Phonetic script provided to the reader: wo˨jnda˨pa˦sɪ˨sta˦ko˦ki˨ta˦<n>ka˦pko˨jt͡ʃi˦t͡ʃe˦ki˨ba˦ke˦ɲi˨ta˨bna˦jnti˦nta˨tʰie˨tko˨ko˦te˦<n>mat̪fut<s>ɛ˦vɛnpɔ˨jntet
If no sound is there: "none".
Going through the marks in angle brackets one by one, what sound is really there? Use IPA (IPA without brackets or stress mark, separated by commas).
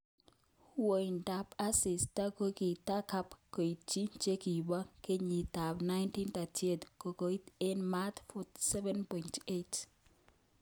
none, n, s